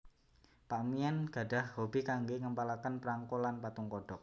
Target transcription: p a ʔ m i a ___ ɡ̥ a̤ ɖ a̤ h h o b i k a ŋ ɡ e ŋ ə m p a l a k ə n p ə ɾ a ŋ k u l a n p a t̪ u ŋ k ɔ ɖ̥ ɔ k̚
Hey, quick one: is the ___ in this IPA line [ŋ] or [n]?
n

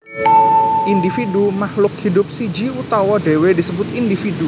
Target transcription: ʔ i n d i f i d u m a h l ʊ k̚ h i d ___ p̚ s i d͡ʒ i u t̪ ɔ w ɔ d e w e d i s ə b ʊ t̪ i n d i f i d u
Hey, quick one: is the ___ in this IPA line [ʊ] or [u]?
ʊ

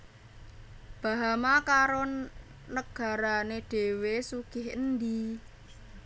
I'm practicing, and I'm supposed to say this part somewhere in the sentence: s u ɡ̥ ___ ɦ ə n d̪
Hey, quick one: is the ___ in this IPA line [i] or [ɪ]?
ɪ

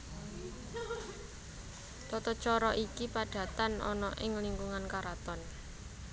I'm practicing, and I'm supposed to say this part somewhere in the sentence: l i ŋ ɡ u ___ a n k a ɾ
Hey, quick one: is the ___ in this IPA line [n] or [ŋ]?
ŋ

